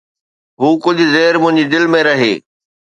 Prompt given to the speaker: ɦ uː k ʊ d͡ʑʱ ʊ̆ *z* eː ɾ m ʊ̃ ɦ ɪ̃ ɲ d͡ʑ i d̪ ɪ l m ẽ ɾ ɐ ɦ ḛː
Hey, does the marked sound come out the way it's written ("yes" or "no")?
yes